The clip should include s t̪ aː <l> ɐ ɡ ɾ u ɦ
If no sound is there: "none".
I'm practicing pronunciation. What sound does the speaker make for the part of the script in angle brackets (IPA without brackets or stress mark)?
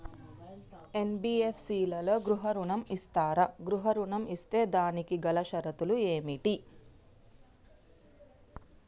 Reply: ɾ